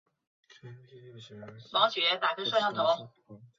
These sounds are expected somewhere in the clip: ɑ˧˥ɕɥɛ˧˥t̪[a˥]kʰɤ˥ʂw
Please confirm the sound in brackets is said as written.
no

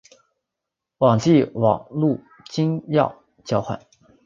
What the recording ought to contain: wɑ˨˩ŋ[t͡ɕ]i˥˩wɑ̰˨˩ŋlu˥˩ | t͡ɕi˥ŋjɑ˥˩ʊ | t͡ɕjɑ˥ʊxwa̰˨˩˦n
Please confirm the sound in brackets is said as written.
yes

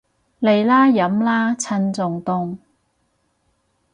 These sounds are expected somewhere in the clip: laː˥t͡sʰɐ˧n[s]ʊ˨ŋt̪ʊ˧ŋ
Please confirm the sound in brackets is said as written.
no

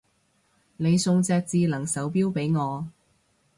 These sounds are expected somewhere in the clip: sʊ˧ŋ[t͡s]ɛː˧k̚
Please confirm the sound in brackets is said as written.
yes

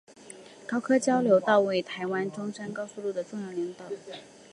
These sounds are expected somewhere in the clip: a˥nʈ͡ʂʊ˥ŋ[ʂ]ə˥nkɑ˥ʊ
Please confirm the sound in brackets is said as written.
yes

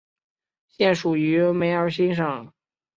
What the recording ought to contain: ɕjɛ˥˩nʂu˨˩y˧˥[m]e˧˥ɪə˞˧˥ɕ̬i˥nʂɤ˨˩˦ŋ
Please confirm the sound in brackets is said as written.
yes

